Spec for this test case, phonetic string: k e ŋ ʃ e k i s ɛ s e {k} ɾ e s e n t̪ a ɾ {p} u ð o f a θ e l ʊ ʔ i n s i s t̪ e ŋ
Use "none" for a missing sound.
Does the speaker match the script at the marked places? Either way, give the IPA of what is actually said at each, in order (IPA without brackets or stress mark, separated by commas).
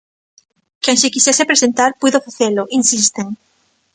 p, p